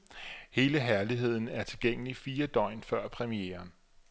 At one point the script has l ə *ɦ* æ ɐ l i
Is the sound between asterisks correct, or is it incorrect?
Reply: correct